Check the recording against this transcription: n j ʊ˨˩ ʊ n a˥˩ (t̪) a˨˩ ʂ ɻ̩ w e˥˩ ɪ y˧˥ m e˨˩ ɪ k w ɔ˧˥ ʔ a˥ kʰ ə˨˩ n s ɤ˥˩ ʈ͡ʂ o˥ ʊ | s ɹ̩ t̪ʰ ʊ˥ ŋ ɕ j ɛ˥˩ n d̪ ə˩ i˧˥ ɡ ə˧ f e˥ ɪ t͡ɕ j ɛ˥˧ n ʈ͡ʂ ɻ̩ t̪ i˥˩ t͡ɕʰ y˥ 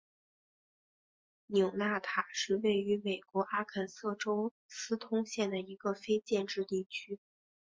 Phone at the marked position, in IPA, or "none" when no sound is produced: t̪ʰ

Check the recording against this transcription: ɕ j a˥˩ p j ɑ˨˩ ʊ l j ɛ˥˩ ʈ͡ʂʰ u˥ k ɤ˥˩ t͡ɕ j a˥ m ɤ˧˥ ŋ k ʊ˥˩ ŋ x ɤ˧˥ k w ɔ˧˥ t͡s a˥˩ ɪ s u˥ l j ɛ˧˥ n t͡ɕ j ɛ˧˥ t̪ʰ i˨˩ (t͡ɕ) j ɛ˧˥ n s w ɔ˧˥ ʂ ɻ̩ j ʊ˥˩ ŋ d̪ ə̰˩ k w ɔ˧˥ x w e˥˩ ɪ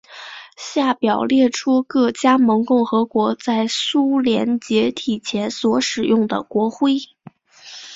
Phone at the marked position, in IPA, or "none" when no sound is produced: t͡ɕʰ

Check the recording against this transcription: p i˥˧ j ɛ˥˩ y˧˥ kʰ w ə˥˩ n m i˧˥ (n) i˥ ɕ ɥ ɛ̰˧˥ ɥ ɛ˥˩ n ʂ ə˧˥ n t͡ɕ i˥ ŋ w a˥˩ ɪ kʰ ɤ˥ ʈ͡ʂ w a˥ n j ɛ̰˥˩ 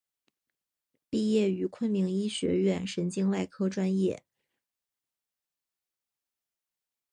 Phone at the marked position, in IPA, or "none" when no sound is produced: ŋ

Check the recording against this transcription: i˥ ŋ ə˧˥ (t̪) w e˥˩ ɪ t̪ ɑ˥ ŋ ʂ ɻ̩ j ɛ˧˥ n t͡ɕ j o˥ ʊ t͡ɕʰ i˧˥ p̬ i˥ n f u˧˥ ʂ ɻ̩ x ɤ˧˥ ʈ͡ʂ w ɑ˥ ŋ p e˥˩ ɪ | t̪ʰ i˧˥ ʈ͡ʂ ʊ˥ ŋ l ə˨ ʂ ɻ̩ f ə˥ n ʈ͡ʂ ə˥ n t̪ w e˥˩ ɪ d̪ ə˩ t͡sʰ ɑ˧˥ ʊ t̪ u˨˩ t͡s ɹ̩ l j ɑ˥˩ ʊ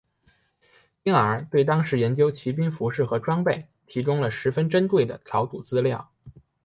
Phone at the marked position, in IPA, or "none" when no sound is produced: t̪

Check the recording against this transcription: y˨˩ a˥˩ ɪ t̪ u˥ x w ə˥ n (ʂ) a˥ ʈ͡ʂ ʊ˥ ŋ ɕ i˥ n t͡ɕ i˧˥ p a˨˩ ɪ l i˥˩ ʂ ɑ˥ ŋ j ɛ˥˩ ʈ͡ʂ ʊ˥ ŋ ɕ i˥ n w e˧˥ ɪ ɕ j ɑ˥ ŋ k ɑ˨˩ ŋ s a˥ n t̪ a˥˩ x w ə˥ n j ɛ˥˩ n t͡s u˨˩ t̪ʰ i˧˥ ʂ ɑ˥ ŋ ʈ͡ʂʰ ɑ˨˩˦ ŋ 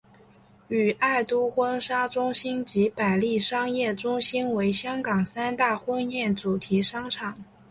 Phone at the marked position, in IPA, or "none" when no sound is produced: ʂ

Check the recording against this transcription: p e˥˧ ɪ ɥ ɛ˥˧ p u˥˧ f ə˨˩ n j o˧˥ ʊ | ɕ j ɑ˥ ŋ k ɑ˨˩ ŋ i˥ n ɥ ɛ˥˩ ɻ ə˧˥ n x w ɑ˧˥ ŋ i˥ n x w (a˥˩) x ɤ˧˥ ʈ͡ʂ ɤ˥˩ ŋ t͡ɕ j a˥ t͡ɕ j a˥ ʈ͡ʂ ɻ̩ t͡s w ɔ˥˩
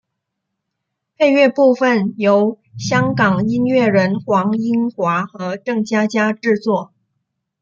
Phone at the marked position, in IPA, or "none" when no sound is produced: a˧˥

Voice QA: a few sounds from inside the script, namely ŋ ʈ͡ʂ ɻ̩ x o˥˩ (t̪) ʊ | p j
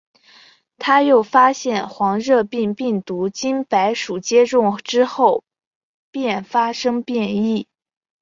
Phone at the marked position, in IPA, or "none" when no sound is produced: none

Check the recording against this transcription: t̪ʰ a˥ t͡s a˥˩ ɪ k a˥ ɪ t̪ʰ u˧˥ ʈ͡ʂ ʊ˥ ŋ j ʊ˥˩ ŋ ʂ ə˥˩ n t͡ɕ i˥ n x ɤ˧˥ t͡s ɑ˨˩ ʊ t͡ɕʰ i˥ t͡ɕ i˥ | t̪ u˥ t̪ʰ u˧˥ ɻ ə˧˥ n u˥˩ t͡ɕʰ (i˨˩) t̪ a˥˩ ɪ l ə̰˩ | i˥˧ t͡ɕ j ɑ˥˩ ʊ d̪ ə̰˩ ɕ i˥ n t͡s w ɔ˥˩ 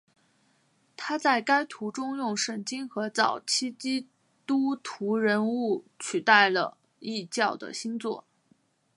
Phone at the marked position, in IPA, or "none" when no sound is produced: y˨˩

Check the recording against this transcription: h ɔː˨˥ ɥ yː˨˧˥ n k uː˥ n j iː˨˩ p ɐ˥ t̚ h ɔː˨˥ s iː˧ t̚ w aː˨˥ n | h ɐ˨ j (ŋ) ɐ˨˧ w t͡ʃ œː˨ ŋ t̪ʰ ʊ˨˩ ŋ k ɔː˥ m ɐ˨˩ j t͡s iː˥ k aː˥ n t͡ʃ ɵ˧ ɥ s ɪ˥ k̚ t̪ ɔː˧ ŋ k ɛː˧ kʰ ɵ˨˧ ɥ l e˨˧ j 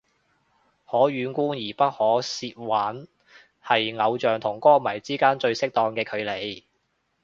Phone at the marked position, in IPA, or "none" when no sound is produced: ŋ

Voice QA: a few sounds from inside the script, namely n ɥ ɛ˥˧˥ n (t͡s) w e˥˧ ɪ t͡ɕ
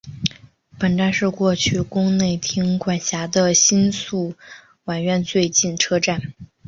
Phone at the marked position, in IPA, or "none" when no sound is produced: t͡s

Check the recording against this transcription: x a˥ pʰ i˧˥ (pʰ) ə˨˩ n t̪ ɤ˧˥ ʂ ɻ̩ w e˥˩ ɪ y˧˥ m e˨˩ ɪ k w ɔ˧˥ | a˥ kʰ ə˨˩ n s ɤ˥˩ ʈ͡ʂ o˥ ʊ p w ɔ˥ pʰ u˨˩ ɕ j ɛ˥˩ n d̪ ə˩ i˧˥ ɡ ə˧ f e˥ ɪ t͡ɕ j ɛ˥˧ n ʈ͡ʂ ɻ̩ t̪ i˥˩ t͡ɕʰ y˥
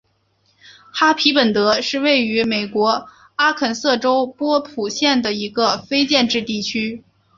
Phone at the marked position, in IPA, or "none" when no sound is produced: p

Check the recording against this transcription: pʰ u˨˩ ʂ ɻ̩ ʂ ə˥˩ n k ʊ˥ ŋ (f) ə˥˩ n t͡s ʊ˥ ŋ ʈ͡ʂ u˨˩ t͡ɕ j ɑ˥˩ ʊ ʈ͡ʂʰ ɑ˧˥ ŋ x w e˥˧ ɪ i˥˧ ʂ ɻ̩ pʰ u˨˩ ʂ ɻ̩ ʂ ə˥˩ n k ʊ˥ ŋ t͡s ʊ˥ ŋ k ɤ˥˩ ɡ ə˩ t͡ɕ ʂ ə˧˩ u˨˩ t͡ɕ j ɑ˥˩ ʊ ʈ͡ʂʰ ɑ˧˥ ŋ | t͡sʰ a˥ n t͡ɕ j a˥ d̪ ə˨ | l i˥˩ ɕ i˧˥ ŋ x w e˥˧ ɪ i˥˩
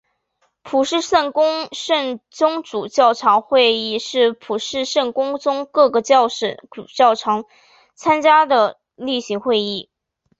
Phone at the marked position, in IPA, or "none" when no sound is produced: ʂ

